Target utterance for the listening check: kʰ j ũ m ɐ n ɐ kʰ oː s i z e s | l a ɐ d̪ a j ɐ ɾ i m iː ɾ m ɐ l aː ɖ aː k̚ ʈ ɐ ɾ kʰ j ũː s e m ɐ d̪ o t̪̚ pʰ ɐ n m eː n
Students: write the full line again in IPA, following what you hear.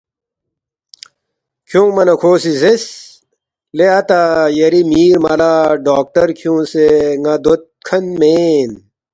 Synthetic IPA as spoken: kʰ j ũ m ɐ n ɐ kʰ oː s i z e s | l e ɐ t̪ a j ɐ ɾ i m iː ɾ m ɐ l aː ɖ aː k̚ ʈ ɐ ɾ kʰ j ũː s e ŋ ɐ d̪ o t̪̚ kʰ ɐ n m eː n